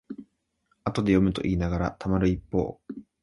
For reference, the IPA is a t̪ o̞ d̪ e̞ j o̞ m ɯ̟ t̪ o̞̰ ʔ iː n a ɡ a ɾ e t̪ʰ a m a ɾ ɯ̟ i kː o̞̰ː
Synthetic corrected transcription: a t̪ o̞ d̪ e̞ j o̞ m ɯ̟ t̪ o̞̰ ʔ iː n a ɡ a ɾ a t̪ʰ a m a ɾ ɯ̟ i pː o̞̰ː

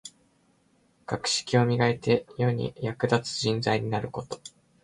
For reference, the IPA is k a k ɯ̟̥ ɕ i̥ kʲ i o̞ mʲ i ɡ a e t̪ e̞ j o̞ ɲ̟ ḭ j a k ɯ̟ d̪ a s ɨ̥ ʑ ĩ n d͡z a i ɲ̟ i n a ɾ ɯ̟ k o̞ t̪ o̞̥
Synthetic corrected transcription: k a k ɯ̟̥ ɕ i̥ kʲ i o̞ mʲ i ɡ a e t̪ e̞ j o̞ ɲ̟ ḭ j a k ɯ̟ d̪ a t͡s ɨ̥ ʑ ĩ n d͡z a i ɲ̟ i n a ɾ ɯ̟ k o̞ t̪ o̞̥

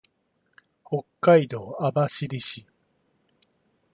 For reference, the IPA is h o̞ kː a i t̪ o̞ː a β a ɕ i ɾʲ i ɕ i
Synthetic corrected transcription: h o̞ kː a i d̪ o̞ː a b a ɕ i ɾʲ i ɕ i

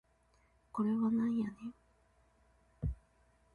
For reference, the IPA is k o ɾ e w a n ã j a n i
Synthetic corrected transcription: k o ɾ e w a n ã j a n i

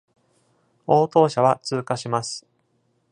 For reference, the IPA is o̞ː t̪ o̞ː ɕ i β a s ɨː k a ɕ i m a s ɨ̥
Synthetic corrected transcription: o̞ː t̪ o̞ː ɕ a β a t͡s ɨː k a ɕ i m a s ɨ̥

